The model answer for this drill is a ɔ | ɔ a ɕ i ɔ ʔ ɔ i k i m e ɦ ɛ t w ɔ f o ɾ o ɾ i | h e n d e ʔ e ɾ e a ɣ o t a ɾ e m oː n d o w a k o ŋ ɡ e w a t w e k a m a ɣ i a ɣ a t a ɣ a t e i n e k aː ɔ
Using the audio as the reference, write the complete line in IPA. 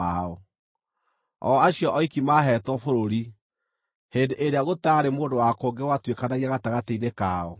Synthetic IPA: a ɔ | ɔ a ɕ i ɔ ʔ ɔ i k i m a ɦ ɛ t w ɔ f o ɾ o ɾ i | h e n d e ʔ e ɾ e a ɣ o t a ɾ e m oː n d o w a k o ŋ ɡ e w a t w e k a n a ɣ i a ɣ a t a ɣ a t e i n e k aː ɔ

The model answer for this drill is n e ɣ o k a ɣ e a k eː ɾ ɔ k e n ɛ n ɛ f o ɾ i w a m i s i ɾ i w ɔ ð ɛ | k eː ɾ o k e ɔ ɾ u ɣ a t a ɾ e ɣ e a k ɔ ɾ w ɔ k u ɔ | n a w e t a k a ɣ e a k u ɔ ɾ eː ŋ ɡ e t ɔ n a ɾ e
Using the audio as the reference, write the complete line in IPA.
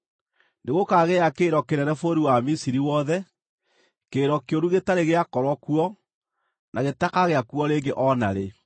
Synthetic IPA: n e ɣ o k a ɣ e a k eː ɾ ɔ k e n ɛ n ɛ f o ɾ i w a m i s i ɾ i w ɔ ð ɛ | k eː ɾ ɔ k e o ɾ u ɣ e t a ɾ e ɣ e a k ɔ ɾ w ɔ k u ɔ | n a ɣ e t a k a ɣ e a k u ɔ ɾ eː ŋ ɡ e ʔ ɔ n a ɾ e

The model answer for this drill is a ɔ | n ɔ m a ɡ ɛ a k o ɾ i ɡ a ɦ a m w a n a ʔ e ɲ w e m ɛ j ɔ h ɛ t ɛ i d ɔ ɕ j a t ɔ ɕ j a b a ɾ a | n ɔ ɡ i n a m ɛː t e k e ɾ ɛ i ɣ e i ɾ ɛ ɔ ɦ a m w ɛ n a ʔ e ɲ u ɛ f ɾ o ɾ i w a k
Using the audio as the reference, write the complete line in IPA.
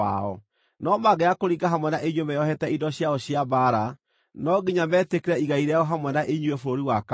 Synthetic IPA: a ɔ | n ɔ m a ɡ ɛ a k o ɾ i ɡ a ɦ a m w ɛ n a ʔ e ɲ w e m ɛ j ɔ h ɛ t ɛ i d ɔ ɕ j a ɔ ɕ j a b a ɾ a | n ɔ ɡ i ɲ a m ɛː t e k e ɾ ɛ i ɣ a i ɾ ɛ ɔ ɦ a m w ɛ n a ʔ e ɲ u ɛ f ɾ o ɾ i w a k

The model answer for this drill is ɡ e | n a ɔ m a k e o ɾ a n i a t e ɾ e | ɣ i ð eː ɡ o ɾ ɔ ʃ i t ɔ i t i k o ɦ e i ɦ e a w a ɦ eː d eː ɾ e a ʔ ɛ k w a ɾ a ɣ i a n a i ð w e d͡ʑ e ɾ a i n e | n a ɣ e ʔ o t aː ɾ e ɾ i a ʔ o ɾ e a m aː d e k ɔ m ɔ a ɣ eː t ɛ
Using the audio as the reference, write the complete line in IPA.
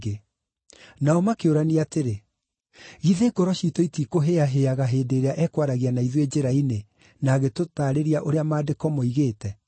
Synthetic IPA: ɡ e | n a ɔ m a k e o ɾ a n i a t e ɾ e | ɣ i ð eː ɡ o ɾ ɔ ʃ i t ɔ i t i k o ɦ e a ɦ e a ɣ a ɦ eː d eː ɾ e a ʔ ɛ k w a ɾ a ɣ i a n a i ð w e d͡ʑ e ɾ a i n e | n a ɣ e t o t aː ɾ e ɾ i a ʔ o ɾ e a m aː d e k ɔ m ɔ i ɣ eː t ɛ

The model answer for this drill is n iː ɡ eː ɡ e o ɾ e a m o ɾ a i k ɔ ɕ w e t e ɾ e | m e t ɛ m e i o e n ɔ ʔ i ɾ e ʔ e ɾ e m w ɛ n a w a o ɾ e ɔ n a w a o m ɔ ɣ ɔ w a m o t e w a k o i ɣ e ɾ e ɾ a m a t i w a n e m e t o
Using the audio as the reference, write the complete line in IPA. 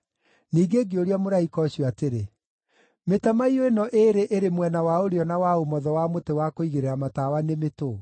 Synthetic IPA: n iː ɡ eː ɡ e o ɾ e a m o ɾ a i k ɔ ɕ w a t e ɾ e | m e t a m a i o e n ɔ ʔ e ɾ e ʔ e ɾ e m w ɛ n a w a o ɾ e ɔ n a w a o m ɔ ð ɔ w a m o t e w a k o i ɣ e ɾ e ɾ a m a t a w a n e m e t o

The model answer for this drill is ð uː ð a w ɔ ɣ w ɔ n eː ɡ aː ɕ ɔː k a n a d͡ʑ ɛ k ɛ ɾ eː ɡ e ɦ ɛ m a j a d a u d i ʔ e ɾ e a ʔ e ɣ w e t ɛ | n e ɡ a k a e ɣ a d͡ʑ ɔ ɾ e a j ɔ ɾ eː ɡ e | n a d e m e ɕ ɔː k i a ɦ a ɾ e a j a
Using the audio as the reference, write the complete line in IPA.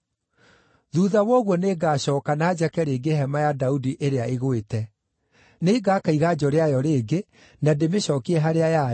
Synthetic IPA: ð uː ð a w ɔ ɣ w ɔ n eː ɡ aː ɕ ɔː k a n a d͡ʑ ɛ k ɛ ɾ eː ɡ e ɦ ɛ m a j a d a u d i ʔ e ɾ e a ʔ e ɣ w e t ɛ | n e ɡ a k a i ɣ a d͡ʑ ɔ ɾ e a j ɔ ɾ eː ɡ e | n a d e m e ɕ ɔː k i ɛ ɦ a ɾ e a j a

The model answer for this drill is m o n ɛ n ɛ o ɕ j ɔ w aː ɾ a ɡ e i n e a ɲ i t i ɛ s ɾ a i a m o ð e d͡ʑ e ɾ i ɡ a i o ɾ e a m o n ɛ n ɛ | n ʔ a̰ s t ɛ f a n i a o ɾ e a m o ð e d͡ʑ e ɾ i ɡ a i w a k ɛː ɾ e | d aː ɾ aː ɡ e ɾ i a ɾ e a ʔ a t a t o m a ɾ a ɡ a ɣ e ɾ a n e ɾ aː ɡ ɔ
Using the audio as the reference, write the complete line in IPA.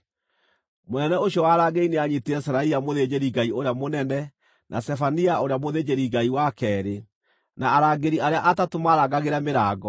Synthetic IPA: m o n ɛ n ɛ o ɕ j ɔ w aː ɾ a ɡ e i n e a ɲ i t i ɛ s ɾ a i a m o ð e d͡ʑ e ɾ i ɡ a i o ɾ e a m o n ɛ n ɛ | n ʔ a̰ s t ɛ f a n i a o ɾ e a m o ð e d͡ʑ e ɾ i ɡ a i w a k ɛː ɾ e | n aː ɾ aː ɡ e ɾ i a ɾ e a ʔ a t a t o m a ɾ a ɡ a ɣ e ɾ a m e ɾ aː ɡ ɔ

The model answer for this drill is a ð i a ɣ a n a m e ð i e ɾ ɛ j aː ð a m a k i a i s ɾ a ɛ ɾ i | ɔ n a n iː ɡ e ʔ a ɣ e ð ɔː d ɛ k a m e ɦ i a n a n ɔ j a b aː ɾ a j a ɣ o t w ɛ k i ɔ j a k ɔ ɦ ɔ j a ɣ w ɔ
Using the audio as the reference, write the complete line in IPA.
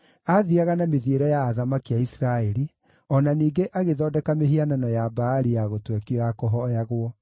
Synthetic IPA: a ð i a ɣ a n a m e ð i e ɾ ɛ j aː ð a m a k i a i s ɾ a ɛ ɾ i | ɔ n a n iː ɡ e ʔ a ɣ e ð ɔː d ɛ k a m e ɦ i a n a n ɔ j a b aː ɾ i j a ɣ o t w ɛ k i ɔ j a k ɔ ɦ ɔ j a ɣ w ɔ

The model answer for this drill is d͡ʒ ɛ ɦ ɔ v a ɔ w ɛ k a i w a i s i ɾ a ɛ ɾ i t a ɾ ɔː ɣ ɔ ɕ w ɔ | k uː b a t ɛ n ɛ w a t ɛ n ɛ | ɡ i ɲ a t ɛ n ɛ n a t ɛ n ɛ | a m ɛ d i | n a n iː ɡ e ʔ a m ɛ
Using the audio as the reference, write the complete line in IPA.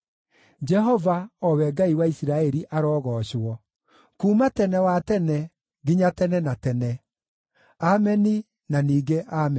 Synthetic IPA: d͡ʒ ɛ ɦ ɔ v a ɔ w ɛ ɡ a i w a i s i ɾ a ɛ ɾ i ʔ a ɾ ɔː ɣ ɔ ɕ w ɔ | k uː m a t ɛ n ɛ w a t ɛ n ɛ | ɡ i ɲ a t ɛ n ɛ n a t ɛ n ɛ | a m ɛ n i | n a n iː ɡ e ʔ a m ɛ

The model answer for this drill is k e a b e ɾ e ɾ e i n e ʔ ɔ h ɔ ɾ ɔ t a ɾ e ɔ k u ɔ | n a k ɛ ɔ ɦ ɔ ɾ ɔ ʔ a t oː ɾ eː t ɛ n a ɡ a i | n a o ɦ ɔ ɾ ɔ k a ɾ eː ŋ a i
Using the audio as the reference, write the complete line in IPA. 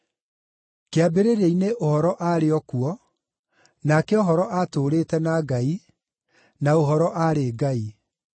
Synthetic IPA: k e a b e ɾ e ɾ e i n e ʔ o h ɔ ɾ ɔ ʔ a ɾ e ɔ k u ɔ | n a k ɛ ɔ ɦ ɔ ɾ ɔ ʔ a t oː ɾ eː t ɛ n a ɡ a i | n a o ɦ ɔ ɾ ɔ ʔ a ɾ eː ɡ a i

